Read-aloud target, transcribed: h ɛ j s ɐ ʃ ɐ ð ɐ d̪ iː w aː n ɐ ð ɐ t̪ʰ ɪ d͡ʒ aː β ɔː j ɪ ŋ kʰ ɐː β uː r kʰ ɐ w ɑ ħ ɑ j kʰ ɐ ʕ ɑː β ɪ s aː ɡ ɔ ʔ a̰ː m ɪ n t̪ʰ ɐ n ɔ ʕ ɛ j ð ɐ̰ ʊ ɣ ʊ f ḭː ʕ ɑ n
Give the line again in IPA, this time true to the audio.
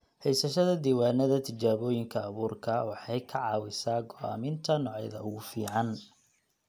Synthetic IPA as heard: h ɛ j s ɐ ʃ ɐ ð ɐ d̪ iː w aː n ɐ ð ɐ t̪ʰ ɪ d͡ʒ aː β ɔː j ɪ ŋ kʰ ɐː β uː r kʰ ɐ w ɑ ħ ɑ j kʰ ɐ ʕ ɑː w ɪ s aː ɡ ɔ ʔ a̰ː m ɪ n t̪ʰ ɐ n ɔ ʕ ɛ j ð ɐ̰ ʊ ɣ ʊ f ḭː ʕ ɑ n

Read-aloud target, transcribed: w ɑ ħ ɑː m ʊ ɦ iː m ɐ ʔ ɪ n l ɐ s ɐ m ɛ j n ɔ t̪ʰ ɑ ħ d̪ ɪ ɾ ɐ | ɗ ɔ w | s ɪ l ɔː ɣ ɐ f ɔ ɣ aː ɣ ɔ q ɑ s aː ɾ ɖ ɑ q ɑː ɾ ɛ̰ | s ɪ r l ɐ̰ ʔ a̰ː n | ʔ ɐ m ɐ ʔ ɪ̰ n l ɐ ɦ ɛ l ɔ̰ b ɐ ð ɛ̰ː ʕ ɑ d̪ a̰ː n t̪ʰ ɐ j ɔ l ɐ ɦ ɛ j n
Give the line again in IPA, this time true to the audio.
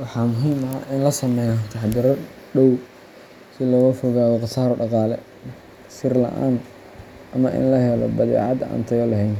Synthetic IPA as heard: w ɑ ħ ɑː m ʊ ɦ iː m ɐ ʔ ɪ n l ɐ s ɐ m ɛ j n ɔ t̪ʰ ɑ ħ d̪ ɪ ɾ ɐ | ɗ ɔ w | s ɪ l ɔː ɣ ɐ f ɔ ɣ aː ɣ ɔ q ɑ s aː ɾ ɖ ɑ q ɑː l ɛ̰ | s ɪ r l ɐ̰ ʔ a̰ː n | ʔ ɐ m ɐ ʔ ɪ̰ n l ɐ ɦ ɛ l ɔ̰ b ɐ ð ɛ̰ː ʕ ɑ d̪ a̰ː n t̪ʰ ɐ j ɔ l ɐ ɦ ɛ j n

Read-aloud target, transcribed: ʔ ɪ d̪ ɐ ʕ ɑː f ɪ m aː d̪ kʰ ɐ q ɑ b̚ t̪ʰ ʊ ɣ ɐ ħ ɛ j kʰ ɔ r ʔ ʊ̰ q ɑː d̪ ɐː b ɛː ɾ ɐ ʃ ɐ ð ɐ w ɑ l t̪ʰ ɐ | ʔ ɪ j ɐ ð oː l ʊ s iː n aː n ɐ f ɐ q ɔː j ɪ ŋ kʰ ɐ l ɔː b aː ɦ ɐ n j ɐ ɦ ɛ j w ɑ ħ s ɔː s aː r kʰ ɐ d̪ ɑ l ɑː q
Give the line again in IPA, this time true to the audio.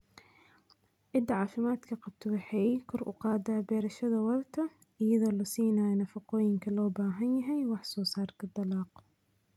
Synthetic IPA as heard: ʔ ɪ d̪ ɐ ʕ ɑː f ɪ m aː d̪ kʰ ɐ q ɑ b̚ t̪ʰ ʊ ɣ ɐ ħ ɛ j kʰ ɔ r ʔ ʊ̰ q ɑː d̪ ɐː b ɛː ɾ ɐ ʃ ɐ ð ɐ w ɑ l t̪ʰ ɐ | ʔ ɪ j ɐ ð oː l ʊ s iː n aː n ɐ f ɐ q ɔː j ɪ ŋ kʰ ɐ l ɔː b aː ɦ ɐ n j ɐ ɦ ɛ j w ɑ ħ s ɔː s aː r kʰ ɐ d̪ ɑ l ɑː q

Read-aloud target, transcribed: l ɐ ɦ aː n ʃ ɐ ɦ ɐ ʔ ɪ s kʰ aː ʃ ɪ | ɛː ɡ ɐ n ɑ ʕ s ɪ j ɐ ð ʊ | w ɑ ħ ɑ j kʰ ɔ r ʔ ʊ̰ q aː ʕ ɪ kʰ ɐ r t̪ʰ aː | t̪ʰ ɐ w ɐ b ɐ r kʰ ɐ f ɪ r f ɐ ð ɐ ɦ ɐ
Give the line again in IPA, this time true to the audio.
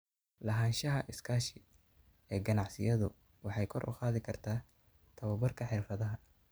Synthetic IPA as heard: l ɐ ɦ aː n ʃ ɐ ɦ ɐ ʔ ɪ s kʰ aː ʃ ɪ | ɛː ɡ ɐ n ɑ ʕ s ɪ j ɐ ð ʊ | w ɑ ħ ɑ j kʰ ɔ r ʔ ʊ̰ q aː ð ɪ kʰ ɐ r t̪ʰ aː | t̪ʰ ɐ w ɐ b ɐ r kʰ ɐ ħ ɪ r f ɐ ð ɐ ɦ ɐ

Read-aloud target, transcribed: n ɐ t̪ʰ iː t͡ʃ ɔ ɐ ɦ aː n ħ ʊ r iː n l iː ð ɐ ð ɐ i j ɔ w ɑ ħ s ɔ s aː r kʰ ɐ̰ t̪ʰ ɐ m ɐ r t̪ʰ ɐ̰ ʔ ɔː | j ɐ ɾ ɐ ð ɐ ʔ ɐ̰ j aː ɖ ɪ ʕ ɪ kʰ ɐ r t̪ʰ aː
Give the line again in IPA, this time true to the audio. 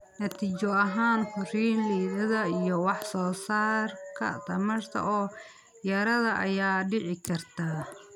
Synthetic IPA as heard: n ɐ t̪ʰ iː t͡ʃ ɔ ɐ ɦ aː n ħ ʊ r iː n l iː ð ɐ ð ɐ i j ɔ w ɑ ħ s ɔː s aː r kʰ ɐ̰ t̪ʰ ɐ m ɐ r t̪ʰ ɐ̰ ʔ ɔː | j ɐ ɾ ɐ ð ɐ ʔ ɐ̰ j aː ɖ ɪ ʕ ɪ kʰ ɐ r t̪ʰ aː

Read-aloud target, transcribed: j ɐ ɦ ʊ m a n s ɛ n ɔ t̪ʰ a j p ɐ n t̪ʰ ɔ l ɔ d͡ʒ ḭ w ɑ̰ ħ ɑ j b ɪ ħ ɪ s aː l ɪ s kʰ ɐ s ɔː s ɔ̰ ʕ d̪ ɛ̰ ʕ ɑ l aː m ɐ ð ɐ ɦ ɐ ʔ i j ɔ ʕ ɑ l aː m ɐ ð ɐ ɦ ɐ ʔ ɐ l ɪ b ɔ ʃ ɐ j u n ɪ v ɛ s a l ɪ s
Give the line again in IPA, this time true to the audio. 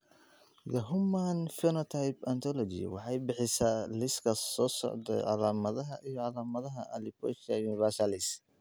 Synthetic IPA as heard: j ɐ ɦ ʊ m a n f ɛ n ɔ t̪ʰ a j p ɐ n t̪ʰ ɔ l ɔ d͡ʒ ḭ w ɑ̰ ħ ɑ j b ɪ ħ ɪ s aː l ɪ s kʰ ɐ s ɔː s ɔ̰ ʕ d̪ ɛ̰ ʕ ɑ l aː m ɐ ð ɐ ɦ ɐ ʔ i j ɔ ʕ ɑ l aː m ɐ ð ɐ ɦ ɐ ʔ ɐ l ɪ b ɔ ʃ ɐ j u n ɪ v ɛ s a l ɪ s

